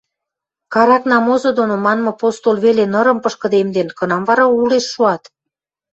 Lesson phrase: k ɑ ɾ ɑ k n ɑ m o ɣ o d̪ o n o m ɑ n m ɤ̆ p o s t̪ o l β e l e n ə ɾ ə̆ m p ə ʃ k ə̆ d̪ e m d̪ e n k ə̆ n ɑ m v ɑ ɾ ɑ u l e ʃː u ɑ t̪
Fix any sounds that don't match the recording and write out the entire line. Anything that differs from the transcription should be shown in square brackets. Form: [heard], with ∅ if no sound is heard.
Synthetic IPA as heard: k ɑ ɾ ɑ k n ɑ m o [z] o d̪ o n o m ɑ n m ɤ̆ p o s t̪ o l β e l e n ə ɾ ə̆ m p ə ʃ k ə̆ d̪ e m d̪ e n k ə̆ n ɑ m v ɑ ɾ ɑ u l e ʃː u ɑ t̪